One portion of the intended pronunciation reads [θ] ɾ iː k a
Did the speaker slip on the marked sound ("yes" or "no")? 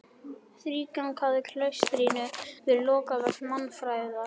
no